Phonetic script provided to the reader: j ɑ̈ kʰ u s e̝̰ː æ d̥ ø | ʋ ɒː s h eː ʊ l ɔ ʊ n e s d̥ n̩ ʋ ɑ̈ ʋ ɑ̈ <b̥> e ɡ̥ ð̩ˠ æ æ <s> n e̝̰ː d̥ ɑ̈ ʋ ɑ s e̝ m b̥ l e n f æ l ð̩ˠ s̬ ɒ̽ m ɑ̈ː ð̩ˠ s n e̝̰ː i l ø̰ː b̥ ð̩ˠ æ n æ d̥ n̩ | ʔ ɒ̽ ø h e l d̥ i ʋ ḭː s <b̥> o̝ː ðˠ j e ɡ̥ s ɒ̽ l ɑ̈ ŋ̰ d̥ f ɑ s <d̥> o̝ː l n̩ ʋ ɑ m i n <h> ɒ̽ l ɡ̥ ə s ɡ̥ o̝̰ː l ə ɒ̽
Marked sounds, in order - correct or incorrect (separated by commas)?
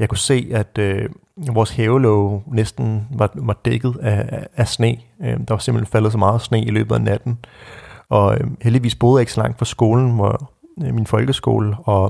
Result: incorrect, correct, correct, incorrect, incorrect